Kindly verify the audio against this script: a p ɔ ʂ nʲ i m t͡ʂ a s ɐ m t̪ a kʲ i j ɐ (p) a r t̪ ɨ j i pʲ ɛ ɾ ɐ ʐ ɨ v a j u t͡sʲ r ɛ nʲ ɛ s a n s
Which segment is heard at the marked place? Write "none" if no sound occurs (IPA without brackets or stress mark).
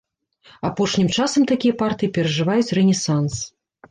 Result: p